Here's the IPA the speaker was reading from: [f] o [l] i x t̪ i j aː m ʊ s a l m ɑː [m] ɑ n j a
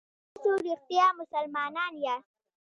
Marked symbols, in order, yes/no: no, no, no

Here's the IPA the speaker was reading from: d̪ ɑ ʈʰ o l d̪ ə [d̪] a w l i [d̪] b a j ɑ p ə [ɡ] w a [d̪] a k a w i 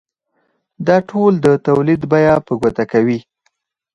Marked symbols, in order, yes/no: no, yes, yes, no

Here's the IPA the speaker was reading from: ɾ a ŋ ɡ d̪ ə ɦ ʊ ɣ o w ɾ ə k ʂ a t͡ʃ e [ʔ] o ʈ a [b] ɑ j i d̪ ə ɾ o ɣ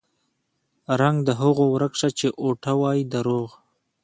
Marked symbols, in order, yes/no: yes, no

